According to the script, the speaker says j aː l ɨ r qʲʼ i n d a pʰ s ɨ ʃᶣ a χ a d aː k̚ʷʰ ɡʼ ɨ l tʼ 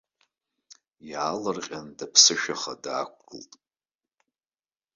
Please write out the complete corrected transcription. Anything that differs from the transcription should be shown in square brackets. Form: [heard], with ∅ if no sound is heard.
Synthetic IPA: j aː l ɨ r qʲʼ [a] n d a pʰ s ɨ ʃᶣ a χ a d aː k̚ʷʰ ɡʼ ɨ l tʼ

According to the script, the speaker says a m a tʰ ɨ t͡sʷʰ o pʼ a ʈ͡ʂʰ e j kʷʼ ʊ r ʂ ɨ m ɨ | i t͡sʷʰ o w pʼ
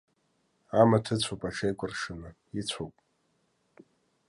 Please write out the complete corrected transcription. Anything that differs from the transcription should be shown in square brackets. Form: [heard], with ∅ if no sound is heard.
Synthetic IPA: a m a tʰ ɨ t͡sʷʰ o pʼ a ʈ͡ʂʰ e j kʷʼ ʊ r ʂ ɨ [n] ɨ | i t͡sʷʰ o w pʼ

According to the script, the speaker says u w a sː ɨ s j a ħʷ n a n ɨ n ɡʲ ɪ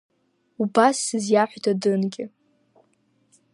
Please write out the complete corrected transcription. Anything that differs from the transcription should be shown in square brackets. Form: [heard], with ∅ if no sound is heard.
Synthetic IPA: u [b] a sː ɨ [z] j a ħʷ [d] a [d] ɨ n ɡʲ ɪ

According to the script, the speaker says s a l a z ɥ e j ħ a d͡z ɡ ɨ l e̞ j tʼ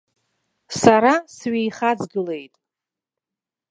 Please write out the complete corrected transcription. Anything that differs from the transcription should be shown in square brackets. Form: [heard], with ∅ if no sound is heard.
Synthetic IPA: s a [ɾ] a [s] ɥ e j [χ] a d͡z ɡ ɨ l e̞ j tʼ

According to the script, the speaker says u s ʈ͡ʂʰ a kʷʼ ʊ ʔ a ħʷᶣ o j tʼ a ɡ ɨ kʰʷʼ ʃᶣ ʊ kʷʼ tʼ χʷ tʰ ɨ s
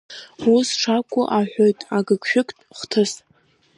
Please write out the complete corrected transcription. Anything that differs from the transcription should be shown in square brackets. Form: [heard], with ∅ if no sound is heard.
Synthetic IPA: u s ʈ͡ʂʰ a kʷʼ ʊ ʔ a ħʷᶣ o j tʼ a ɡ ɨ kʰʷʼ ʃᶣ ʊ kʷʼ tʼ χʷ tʰ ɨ s

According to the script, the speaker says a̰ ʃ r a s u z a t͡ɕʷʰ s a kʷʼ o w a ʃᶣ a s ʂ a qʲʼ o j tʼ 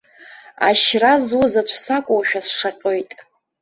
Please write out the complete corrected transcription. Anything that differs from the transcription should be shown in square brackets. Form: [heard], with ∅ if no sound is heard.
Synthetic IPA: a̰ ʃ r a [z] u z a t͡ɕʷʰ s a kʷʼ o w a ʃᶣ a s ʂ a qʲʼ o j tʼ

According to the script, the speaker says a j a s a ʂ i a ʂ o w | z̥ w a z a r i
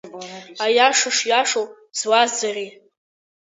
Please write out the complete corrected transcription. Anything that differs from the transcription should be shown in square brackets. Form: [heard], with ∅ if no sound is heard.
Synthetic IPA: a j a [ʂ] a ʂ [j] a ʂ o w | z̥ w a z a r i

